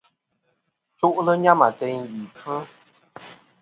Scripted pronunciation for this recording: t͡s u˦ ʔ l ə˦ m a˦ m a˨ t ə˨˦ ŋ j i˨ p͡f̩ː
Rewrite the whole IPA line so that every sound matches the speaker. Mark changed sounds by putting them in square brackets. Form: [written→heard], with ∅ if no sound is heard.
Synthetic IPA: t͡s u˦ ʔ l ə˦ [m→ɲ] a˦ m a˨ t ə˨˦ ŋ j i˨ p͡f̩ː

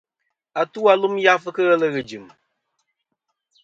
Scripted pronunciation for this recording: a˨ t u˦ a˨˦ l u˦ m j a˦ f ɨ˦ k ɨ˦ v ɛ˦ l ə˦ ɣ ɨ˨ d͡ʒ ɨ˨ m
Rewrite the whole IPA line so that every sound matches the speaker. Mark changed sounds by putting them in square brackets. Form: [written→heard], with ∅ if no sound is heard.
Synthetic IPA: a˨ t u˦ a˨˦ l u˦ m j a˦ f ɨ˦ k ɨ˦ [v→ɣ] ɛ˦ l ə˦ ɣ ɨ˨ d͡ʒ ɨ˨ m

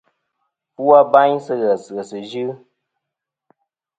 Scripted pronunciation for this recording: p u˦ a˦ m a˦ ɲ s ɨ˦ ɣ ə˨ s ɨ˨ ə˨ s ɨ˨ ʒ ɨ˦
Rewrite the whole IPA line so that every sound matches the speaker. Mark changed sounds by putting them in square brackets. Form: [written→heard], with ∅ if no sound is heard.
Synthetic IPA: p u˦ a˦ [m→b] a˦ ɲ s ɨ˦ ɣ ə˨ s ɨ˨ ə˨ s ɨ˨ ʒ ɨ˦

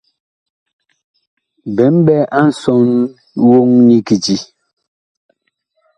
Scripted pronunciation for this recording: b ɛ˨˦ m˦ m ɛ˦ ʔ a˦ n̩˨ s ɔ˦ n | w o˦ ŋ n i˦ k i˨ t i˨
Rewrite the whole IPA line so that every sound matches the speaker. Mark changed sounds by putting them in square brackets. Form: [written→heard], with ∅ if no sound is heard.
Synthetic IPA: b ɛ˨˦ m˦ [m→b] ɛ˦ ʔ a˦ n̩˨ s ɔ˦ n | w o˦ ŋ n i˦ k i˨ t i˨

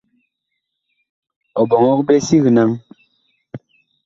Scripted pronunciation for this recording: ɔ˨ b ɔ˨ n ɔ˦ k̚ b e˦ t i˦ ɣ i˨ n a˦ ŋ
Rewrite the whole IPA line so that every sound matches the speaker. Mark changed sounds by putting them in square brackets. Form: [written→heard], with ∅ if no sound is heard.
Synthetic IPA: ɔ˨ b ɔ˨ [n→ŋ] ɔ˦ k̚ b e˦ [t→s] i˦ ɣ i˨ n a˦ ŋ

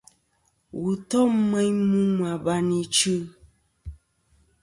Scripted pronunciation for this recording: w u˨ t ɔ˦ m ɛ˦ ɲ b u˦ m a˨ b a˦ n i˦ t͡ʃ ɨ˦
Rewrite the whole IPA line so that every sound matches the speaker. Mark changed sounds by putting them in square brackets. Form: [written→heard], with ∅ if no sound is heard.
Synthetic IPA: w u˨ t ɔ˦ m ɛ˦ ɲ [b→m] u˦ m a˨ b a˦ n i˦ t͡ʃ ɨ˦

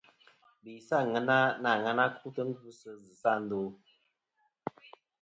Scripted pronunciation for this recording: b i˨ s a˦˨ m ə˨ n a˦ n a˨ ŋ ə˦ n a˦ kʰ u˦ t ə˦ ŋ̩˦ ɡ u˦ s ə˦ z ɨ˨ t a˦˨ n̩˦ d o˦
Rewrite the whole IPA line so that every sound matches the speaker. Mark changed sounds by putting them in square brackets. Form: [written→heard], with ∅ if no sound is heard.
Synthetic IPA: b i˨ s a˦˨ [m→ŋ] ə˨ n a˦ n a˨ ŋ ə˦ n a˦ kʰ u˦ t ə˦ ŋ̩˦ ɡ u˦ s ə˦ z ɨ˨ [t→s] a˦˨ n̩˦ d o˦

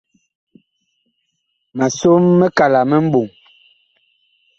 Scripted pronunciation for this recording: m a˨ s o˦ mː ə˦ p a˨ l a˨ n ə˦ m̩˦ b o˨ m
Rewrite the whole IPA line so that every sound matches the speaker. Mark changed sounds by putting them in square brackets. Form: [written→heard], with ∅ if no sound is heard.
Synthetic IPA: m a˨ s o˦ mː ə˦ [p→k] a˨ l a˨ [n→m] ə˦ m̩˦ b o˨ [m→ŋ]

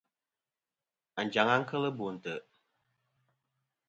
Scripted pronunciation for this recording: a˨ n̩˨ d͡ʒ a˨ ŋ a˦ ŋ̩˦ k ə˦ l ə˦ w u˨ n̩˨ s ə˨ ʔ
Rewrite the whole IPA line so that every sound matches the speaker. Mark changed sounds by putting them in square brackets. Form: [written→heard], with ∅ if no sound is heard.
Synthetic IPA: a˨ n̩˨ d͡ʒ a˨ ŋ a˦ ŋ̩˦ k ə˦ l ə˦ [w→b] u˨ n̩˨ [s→t] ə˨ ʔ

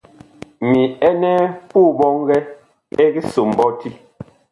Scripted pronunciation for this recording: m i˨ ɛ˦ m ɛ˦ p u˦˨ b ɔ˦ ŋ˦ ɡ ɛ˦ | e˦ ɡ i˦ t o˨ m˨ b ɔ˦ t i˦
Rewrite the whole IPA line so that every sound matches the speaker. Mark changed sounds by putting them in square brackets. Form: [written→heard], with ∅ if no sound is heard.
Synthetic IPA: m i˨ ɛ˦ [m→n] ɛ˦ p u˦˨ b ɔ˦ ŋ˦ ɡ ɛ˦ | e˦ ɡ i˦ [t→s] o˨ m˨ b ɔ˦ t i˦

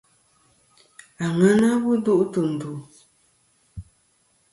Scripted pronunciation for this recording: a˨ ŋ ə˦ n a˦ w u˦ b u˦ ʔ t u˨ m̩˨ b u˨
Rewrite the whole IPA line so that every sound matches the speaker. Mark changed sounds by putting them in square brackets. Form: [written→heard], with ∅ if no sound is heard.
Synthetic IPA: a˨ ŋ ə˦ n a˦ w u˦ [b→d] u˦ ʔ t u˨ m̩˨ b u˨

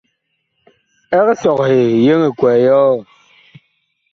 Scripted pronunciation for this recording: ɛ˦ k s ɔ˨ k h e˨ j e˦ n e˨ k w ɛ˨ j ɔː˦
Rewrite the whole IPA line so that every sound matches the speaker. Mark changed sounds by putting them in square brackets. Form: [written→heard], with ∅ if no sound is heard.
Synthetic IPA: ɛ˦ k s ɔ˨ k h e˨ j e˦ [n→ŋ] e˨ k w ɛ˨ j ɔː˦

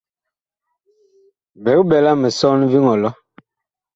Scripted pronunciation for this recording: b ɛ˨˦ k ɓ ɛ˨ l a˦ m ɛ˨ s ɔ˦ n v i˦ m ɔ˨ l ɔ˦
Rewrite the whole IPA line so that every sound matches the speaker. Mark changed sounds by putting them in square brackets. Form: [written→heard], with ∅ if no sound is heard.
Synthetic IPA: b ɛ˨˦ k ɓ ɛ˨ l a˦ m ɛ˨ s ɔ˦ n v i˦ [m→ŋ] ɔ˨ l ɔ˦

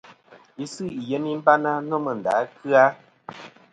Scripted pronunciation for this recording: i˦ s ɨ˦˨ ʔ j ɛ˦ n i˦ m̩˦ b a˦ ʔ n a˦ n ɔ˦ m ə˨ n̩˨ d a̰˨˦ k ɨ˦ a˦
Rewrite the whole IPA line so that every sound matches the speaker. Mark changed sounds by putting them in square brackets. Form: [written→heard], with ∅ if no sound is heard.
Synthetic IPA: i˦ s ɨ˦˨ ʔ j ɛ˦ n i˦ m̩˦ b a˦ [ʔ→∅] n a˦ n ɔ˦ m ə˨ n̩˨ d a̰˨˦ k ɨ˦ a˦

